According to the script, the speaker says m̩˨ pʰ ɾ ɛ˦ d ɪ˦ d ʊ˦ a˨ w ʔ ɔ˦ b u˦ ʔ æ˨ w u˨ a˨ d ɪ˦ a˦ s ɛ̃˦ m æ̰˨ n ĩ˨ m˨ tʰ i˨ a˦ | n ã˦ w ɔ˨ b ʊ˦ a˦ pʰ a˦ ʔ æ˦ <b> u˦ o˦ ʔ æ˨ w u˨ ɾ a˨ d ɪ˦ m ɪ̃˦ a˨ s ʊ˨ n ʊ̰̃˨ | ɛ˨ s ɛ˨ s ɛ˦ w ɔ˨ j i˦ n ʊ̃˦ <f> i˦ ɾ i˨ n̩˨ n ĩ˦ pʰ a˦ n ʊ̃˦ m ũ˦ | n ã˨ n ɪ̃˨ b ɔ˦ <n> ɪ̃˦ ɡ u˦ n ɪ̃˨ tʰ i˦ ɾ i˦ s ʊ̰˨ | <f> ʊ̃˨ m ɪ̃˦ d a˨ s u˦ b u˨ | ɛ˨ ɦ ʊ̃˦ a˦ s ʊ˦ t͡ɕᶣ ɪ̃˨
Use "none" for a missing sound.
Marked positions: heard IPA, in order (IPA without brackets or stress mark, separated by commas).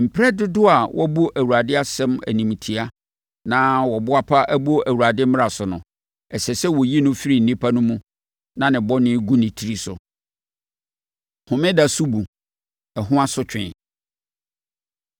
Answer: b, f, n, h